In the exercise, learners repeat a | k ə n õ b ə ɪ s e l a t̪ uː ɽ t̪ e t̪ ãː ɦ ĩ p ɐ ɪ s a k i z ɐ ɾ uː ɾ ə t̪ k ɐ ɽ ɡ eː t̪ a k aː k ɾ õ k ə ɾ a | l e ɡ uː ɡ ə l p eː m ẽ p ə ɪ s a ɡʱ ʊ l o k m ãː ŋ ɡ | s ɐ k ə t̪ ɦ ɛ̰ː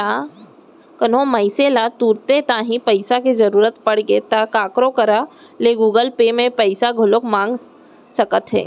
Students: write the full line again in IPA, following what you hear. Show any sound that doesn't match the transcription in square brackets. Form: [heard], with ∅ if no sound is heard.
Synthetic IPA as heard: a | k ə n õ [m] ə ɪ s e l a t̪ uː [ɾ] t̪ e t̪ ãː ɦ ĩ p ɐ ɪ s a k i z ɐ ɾ uː ɾ ə t̪ [p] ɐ ɽ ɡ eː t̪ a k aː k ɾ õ k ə ɾ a | l e ɡ uː ɡ ə l p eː m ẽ p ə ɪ s a ɡʱ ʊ l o k m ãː ŋ ɡ | s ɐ k ə t̪ ɦ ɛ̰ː